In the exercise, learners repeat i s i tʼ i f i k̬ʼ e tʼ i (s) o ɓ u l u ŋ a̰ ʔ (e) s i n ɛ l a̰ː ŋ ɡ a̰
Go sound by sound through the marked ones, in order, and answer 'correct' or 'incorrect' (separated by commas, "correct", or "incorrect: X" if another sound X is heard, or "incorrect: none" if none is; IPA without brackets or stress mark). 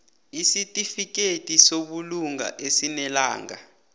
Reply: correct, correct